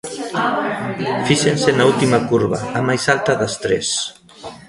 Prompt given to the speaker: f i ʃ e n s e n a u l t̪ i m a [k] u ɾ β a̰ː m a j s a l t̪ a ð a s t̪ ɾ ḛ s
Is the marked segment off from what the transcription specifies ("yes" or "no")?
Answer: no